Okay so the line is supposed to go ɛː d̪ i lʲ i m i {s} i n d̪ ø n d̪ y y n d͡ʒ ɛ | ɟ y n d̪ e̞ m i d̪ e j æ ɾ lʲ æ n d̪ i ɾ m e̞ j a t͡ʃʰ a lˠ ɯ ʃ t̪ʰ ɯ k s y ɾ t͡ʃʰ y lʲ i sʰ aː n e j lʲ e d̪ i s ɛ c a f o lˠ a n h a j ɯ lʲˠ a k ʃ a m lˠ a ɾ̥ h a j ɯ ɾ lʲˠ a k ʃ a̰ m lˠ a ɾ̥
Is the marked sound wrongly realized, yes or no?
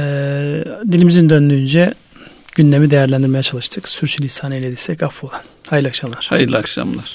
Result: yes